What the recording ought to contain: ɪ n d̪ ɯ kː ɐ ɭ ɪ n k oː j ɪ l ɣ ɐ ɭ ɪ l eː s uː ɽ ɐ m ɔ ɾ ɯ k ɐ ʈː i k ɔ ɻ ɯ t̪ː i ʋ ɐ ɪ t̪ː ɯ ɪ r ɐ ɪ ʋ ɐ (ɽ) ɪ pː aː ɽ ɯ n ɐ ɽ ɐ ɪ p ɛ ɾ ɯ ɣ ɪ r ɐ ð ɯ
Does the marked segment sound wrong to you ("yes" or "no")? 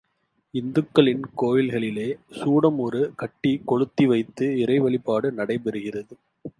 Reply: yes